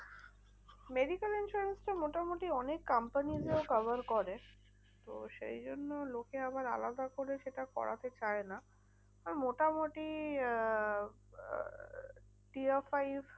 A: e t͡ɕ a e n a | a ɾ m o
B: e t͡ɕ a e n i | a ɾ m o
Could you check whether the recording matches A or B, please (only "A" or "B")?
A